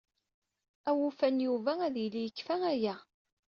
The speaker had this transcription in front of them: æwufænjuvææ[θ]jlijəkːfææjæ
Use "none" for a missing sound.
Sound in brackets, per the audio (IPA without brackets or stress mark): ð